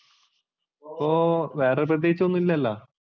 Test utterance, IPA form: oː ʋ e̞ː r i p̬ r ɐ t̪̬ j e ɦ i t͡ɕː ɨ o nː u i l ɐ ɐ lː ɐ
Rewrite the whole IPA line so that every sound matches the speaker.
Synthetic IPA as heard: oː ʋ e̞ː r e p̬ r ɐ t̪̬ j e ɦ i t͡ɕː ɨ o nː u i lː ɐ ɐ lː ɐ